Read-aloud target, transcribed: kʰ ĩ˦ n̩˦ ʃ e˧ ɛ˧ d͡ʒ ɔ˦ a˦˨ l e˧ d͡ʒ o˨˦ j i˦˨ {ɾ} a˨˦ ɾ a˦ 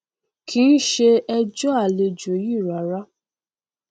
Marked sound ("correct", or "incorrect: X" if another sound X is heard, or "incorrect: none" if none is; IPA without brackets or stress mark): correct